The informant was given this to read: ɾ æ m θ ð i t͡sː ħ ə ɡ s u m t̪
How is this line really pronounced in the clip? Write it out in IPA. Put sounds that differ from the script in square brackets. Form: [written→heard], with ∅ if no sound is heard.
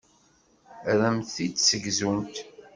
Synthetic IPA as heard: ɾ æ m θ [ð→θ] i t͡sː [ħ→s] ə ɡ [s→z] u [m→n] t̪